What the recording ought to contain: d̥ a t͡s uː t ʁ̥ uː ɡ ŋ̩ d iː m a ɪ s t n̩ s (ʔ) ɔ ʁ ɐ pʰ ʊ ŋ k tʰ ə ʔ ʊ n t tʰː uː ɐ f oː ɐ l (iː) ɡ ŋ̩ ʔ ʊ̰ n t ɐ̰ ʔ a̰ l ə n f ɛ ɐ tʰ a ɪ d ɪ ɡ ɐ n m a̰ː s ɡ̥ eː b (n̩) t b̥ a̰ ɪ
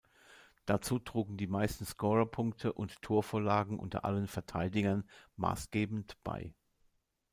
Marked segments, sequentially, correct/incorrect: incorrect: k, incorrect: aː, correct

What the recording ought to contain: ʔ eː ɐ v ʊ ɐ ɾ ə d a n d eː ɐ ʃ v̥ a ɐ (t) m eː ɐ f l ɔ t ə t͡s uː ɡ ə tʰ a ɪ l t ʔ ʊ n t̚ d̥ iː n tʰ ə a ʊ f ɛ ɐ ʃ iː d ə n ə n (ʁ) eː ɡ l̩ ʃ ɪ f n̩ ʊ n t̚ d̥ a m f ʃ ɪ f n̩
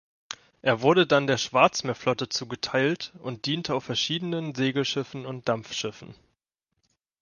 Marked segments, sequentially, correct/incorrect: incorrect: t͡s, incorrect: z

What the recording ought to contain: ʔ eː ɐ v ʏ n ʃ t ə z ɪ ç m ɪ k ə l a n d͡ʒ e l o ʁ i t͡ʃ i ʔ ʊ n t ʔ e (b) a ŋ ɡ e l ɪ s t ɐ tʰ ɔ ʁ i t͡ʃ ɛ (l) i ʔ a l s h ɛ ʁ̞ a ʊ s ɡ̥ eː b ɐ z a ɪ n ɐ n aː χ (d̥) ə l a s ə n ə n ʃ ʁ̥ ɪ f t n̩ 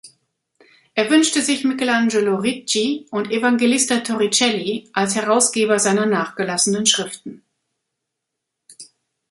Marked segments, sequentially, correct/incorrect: incorrect: v, correct, incorrect: ɡ̥

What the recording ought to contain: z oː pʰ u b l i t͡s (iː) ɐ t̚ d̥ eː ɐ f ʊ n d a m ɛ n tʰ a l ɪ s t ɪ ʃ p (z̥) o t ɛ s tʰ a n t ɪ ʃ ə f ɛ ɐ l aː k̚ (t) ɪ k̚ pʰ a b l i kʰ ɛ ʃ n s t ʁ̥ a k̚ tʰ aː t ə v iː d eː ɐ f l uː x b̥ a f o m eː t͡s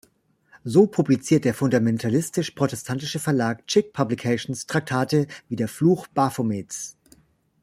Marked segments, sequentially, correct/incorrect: correct, incorrect: ʁ̥, incorrect: t͡ʃ

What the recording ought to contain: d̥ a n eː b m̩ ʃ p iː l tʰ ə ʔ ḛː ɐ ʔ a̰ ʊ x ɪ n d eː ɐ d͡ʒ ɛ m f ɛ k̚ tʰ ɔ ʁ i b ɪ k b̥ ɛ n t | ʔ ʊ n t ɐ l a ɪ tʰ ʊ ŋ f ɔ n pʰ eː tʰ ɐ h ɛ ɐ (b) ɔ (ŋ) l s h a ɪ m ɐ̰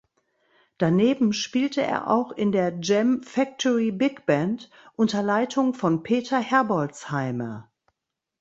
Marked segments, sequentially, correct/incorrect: correct, incorrect: none

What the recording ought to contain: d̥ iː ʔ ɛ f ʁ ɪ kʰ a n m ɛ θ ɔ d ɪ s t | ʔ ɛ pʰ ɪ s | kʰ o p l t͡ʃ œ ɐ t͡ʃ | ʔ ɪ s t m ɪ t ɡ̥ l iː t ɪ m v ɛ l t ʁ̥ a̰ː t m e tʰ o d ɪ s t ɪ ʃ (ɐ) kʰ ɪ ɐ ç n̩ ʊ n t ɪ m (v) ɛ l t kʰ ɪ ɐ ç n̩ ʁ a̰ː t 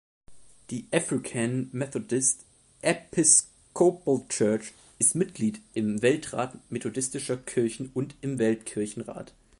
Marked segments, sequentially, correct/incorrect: correct, correct

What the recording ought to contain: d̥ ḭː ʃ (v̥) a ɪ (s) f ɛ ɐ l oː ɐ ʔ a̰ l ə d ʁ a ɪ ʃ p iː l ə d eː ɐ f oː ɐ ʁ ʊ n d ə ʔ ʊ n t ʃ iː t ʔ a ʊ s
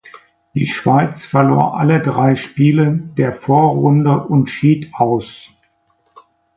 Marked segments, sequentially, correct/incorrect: correct, incorrect: t͡s

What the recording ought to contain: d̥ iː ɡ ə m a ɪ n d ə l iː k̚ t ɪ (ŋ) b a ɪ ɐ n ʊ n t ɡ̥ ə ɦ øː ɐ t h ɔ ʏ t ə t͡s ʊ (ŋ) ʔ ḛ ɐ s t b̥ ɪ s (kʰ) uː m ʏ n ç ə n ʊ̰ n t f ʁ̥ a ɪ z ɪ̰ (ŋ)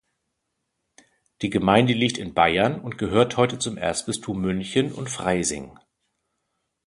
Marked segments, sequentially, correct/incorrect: incorrect: n, incorrect: m, incorrect: tʰ, correct

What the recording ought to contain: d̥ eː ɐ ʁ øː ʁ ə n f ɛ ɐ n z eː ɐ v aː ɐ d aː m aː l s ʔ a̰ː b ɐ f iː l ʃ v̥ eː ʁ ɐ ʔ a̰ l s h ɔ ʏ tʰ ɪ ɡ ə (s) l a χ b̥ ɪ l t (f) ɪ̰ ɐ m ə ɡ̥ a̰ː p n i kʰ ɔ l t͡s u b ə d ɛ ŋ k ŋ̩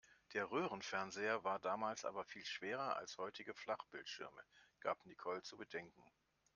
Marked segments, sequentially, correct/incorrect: incorrect: f, incorrect: ʃ

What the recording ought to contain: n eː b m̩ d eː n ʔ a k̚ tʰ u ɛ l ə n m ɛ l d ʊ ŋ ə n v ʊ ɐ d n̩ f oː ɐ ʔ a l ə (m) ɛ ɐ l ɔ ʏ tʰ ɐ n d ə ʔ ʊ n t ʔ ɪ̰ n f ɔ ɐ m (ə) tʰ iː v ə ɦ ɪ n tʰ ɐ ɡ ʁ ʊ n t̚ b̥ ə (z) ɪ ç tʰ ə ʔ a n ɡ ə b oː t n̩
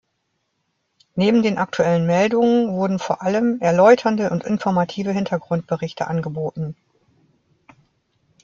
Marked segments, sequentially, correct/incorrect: correct, incorrect: a, incorrect: ʁ

